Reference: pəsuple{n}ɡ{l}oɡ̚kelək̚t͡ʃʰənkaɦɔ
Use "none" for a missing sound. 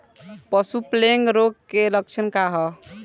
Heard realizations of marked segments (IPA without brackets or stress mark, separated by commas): ŋ, ɾ